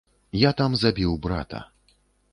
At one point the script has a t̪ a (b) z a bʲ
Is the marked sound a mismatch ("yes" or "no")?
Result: yes